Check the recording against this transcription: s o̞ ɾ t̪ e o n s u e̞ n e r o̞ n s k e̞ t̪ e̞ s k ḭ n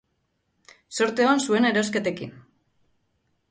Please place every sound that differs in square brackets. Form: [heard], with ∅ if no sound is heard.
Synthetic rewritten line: s o̞ ɾ t̪ e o n s u e̞ n e [ɾ] o̞ [∅] s k e̞ t̪ e̞ [∅] k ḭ n